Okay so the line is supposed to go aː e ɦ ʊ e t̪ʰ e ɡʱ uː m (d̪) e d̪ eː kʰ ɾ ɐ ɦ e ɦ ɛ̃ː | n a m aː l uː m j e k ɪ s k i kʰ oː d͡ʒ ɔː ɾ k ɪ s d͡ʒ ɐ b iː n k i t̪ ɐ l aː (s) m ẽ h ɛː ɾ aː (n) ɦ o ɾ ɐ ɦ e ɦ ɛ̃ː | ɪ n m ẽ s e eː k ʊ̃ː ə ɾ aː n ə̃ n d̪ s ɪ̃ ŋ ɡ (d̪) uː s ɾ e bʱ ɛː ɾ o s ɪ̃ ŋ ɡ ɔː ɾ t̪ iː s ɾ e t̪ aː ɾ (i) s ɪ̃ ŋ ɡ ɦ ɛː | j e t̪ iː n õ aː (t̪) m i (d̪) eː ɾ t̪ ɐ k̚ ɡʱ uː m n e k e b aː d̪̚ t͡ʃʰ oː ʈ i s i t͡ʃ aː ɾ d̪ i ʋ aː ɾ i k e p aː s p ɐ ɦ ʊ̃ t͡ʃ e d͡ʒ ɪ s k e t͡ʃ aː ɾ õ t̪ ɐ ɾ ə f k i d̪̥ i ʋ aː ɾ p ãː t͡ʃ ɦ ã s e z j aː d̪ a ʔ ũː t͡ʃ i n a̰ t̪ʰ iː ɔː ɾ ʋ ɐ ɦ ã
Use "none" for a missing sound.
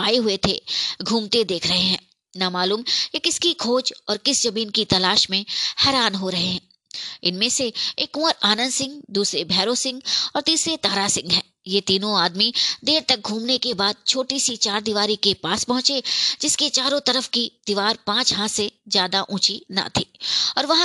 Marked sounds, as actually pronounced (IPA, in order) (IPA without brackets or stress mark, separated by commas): t̪, ʃ, n, d̪, a, d̪, d̪